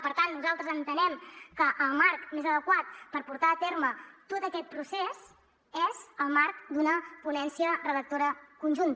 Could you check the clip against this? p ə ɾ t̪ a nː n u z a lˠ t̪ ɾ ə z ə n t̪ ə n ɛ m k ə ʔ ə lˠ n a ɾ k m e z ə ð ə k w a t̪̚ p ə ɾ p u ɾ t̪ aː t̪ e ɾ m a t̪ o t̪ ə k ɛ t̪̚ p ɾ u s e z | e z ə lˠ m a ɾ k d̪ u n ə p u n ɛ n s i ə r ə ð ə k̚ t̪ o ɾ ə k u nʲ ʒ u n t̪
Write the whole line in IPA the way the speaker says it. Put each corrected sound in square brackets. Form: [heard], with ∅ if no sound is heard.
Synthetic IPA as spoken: p ə ɾ t̪ a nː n u z a lˠ t̪ ɾ ə z ə n t̪ ə n ɛ m k ə ʔ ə lˠ [m] a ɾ k m e z ə ð ə k w a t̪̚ p ə ɾ p u ɾ t̪ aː t̪ e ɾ m [ə] t̪ o t̪ ə k ɛ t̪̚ p ɾ u s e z | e z ə lˠ m a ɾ k d̪ u n ə p u n ɛ n s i ə r ə ð ə k̚ t̪ o ɾ ə k u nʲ ʒ u n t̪